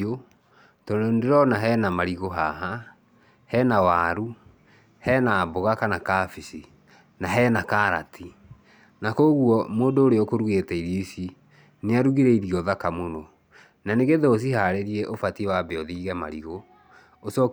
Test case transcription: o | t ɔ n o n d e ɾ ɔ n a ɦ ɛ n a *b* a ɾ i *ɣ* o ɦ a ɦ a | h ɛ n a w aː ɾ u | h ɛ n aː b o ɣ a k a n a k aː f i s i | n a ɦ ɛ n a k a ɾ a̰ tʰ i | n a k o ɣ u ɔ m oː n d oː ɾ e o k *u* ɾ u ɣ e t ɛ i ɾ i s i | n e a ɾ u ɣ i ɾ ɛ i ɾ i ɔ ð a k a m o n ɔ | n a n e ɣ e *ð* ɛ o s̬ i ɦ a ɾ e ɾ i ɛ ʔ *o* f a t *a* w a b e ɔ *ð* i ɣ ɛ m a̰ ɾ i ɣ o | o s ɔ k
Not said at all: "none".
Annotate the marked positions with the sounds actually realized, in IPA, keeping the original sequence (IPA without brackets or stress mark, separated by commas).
m, ɣ, o, ð, o, i, ð